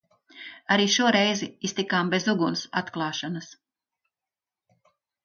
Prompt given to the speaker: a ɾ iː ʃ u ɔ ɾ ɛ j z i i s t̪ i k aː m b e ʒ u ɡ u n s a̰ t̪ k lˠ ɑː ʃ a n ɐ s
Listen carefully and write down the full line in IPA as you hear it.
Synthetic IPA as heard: a ɾ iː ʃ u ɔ ɾ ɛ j z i i s t̪ i k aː m b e z u ɡ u n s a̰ t̪ k lˠ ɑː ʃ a n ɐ s